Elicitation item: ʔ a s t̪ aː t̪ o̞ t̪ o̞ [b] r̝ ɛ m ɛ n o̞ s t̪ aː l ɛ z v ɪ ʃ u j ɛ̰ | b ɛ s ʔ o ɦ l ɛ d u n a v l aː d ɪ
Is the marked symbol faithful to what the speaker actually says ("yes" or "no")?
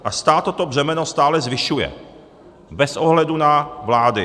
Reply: yes